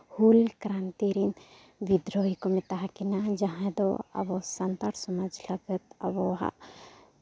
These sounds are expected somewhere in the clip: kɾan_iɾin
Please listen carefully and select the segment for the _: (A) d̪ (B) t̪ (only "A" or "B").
B